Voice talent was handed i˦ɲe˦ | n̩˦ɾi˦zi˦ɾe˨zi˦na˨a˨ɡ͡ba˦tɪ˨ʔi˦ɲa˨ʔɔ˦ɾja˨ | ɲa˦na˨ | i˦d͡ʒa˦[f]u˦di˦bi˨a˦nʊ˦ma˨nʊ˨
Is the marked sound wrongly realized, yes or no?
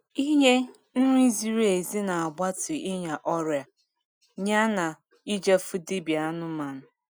no